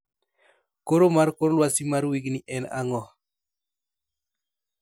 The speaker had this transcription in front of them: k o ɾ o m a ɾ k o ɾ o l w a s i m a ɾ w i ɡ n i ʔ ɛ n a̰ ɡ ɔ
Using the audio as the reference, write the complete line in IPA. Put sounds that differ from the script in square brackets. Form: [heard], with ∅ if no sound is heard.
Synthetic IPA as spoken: k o ɾ o m a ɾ k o ɾ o l w a s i m a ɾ w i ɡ n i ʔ ɛ n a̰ [ŋ] ɔ